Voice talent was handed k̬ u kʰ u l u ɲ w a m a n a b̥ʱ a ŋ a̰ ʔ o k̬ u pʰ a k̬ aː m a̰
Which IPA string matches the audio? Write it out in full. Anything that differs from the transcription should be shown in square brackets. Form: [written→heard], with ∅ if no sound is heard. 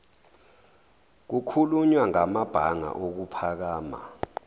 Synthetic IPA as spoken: k̬ u kʰ u l u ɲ w a [m→ŋ] a [n→m] a b̥ʱ a ŋ a̰ ʔ o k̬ u pʰ a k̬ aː m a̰